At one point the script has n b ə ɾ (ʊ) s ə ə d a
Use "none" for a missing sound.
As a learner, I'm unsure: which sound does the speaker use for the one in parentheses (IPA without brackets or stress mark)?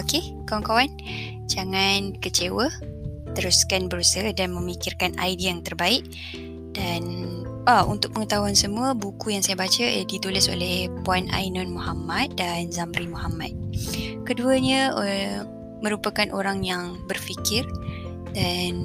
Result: u